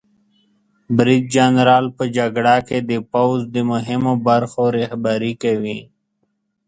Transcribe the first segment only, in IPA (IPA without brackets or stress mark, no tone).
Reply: b